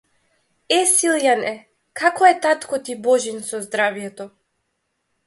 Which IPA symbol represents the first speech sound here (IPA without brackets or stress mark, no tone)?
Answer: ɛ